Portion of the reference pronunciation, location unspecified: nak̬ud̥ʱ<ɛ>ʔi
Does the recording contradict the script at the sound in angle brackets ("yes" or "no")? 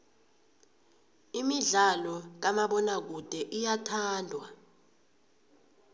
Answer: no